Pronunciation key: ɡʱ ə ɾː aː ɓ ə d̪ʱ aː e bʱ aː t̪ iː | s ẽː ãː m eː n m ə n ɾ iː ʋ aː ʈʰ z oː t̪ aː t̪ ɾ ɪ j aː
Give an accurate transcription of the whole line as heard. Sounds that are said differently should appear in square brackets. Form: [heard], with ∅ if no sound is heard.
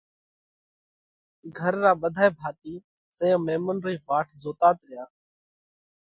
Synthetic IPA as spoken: ɡʱ ə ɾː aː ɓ ə d̪ʱ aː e bʱ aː t̪ iː | s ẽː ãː m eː [∅] m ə n ɾ iː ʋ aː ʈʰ z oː t̪ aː t̪ ɾ ɪ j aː